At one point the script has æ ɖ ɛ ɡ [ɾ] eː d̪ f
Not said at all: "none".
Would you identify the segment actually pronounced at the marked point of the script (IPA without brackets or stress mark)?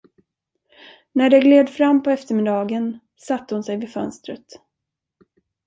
l